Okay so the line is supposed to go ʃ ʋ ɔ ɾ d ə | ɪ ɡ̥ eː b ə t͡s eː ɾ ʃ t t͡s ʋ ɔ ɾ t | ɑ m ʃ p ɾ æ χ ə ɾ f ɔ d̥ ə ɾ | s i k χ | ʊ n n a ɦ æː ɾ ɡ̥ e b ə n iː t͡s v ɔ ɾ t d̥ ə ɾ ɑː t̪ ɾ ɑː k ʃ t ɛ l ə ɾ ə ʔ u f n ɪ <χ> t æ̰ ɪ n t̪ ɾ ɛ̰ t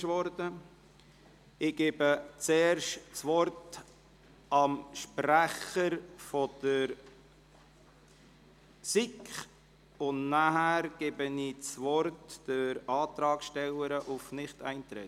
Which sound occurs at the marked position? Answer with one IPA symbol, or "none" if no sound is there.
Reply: χ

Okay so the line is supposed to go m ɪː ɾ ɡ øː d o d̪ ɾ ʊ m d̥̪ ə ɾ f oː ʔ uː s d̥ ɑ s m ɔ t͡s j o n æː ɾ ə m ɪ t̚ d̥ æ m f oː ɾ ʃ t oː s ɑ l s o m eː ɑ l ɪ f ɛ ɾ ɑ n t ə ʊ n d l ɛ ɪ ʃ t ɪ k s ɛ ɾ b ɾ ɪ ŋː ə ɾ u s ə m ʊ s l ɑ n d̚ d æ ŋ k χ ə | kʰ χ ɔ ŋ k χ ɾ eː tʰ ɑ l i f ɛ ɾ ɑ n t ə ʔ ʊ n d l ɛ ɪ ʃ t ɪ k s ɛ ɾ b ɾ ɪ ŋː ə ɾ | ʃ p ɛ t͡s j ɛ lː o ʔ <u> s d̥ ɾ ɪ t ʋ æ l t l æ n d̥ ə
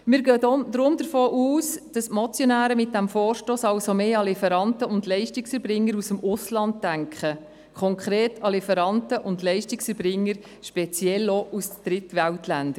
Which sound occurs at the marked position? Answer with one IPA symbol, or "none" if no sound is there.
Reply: u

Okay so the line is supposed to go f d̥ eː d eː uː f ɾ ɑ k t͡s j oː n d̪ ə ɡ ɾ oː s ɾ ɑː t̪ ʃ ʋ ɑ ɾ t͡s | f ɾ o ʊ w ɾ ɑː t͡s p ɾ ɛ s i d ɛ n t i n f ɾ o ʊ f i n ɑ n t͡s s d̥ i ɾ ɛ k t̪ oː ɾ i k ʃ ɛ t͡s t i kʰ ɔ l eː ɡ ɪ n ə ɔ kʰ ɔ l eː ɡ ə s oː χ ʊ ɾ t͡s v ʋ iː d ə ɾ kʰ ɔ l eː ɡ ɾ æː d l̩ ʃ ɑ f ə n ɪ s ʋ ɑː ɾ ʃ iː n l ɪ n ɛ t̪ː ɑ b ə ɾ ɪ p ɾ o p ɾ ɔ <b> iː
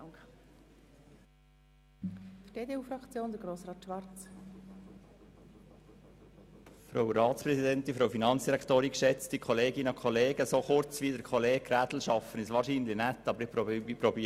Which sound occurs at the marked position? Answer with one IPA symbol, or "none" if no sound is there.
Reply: b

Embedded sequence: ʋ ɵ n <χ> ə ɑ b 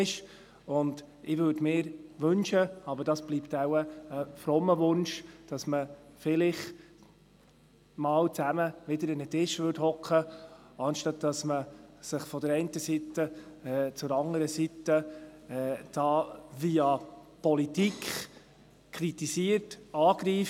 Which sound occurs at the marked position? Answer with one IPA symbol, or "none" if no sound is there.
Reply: ʃ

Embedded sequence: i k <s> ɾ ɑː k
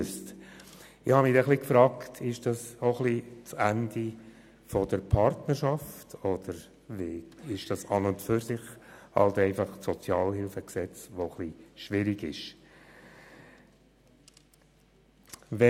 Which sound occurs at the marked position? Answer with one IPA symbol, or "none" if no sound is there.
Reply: f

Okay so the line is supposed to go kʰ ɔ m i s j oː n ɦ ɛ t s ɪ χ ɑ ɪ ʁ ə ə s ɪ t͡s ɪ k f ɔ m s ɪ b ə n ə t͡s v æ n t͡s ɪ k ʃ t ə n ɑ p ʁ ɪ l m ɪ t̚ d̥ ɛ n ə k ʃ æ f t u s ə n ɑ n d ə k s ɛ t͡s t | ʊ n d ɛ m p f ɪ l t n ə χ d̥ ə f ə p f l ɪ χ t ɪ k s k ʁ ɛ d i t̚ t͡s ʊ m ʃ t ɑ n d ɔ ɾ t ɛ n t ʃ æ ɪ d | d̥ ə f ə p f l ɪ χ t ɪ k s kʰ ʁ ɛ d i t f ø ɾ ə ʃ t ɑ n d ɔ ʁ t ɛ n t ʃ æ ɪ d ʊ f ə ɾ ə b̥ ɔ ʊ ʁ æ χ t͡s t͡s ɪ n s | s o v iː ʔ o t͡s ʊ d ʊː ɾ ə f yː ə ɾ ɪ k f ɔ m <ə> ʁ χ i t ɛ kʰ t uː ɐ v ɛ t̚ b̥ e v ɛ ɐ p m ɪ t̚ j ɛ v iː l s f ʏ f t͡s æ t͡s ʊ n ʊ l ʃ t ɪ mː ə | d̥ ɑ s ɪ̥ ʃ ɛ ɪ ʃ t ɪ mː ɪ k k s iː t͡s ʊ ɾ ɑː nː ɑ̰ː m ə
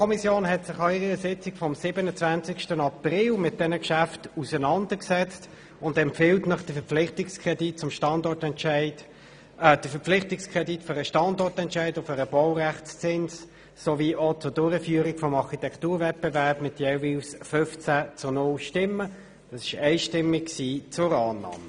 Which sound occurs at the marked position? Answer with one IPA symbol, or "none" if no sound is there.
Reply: ɑ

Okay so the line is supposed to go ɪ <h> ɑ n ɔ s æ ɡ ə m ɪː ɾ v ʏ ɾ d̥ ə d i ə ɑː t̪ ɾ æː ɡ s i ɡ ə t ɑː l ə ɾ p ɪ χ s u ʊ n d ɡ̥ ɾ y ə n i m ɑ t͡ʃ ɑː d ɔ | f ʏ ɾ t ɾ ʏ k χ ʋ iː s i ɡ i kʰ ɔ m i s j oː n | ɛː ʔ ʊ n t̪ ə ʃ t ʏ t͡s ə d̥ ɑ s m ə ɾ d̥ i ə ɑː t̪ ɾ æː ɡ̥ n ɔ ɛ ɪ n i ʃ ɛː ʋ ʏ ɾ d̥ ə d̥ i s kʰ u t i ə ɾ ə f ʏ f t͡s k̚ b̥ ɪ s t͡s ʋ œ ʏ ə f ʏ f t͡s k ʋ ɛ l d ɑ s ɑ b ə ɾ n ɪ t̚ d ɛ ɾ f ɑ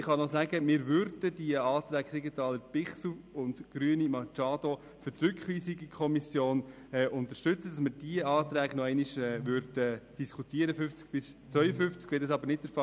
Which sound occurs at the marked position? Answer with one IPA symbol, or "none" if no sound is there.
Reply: χ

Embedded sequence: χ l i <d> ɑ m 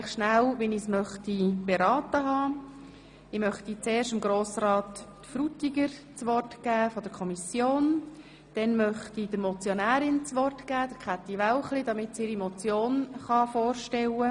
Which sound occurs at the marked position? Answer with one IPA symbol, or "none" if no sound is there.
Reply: d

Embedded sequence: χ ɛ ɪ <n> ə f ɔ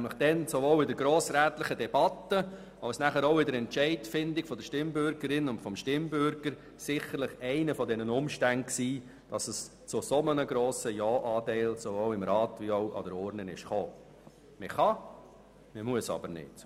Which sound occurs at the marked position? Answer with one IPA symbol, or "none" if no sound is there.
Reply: n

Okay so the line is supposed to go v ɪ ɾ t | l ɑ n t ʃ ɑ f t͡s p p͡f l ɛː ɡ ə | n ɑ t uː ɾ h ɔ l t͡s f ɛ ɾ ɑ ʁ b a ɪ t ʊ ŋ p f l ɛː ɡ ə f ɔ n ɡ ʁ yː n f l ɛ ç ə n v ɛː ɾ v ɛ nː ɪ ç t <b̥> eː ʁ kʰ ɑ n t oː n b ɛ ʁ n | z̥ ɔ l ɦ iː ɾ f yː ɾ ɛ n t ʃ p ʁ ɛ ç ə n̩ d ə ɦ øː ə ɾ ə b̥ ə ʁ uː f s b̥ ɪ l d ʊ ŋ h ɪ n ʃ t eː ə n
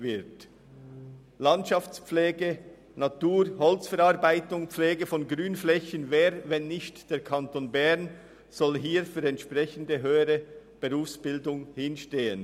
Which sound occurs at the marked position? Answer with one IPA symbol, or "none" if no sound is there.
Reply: d̥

